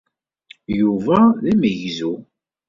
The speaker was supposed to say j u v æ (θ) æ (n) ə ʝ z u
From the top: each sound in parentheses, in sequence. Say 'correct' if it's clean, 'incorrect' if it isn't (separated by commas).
incorrect, incorrect